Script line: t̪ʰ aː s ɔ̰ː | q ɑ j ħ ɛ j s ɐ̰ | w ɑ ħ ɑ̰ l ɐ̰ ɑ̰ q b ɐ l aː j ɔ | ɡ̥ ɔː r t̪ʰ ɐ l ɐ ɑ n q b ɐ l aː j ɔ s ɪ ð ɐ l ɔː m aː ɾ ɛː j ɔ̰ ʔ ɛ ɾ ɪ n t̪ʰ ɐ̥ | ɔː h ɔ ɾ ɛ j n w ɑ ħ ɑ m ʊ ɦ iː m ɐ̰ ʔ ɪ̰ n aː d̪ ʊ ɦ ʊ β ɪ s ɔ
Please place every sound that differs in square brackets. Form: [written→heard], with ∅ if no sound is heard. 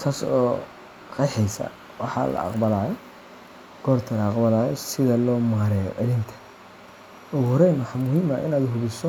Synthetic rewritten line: t̪ʰ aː s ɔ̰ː | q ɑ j ħ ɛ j s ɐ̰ | w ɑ ħ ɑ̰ l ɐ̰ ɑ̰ q b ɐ l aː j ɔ | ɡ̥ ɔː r t̪ʰ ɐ l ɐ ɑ [n→∅] q b ɐ l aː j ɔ s ɪ ð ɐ l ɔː m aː ɾ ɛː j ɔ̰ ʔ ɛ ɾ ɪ n t̪ʰ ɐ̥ | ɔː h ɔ ɾ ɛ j n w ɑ ħ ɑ m ʊ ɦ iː m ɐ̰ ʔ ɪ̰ n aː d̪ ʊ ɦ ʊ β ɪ s ɔ